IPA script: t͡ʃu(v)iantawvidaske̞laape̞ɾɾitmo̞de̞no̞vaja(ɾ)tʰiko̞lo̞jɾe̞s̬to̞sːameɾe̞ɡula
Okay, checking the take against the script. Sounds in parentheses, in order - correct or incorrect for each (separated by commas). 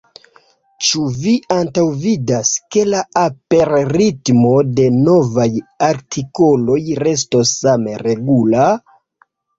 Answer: correct, correct